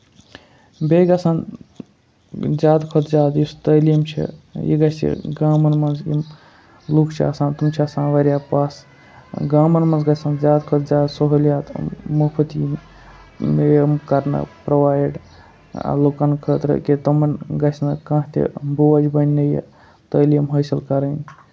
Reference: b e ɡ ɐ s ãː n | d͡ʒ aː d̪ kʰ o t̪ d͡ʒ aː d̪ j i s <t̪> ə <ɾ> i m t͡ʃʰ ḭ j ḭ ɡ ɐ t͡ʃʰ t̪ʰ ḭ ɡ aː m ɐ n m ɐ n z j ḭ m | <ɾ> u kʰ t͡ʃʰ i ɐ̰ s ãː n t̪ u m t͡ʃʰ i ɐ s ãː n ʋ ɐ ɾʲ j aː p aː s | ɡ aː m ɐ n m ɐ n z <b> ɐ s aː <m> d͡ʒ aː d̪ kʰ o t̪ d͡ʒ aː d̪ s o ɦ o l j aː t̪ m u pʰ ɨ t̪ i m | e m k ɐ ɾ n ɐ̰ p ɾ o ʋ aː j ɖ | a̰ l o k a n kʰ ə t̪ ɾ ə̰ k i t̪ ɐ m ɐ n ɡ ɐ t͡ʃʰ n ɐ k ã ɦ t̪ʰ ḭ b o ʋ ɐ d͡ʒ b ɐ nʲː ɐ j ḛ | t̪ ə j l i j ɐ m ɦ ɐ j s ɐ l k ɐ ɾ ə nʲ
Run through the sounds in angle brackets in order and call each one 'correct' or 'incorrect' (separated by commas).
correct, incorrect, incorrect, incorrect, incorrect